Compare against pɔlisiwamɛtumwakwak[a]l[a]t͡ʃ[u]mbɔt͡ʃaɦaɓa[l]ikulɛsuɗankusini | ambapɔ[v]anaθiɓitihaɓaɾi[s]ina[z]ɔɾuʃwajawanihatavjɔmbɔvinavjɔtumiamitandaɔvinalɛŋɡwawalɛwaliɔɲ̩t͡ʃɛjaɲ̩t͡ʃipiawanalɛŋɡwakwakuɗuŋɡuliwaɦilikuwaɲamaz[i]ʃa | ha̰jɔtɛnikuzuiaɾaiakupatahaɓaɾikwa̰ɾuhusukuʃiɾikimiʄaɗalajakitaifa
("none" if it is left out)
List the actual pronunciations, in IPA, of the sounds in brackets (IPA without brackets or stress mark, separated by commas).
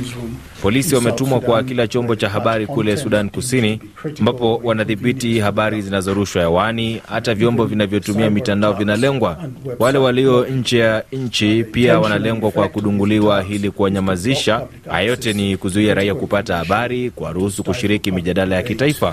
i, a, ɔ, ɾ, w, z, z, i